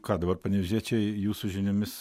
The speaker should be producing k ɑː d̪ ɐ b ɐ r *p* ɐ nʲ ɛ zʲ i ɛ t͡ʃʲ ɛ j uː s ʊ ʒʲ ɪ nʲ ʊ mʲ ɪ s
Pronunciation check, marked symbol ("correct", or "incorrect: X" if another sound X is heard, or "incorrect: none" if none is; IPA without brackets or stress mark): correct